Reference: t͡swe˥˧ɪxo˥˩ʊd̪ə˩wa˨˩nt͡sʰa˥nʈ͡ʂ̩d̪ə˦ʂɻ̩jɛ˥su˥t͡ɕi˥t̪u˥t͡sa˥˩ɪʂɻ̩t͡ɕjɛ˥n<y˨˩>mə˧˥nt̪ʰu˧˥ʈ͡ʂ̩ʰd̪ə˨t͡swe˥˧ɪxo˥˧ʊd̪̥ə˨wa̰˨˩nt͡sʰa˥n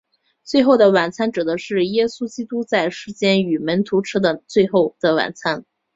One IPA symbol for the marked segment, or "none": y˨˩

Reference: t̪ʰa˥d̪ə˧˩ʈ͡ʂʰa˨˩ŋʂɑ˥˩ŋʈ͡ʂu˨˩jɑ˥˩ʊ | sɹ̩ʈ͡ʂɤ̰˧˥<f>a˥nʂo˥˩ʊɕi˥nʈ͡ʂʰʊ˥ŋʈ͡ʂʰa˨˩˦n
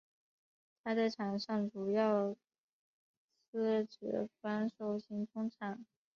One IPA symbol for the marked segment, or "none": f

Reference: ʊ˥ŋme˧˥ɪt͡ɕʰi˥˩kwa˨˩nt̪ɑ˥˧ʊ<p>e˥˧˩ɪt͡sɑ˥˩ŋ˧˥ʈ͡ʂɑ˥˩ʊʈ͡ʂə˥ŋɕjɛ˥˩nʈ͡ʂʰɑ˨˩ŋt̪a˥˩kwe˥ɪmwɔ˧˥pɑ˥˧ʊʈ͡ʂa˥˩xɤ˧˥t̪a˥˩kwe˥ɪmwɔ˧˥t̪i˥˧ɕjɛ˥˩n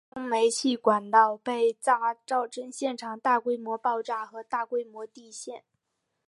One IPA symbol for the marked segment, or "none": p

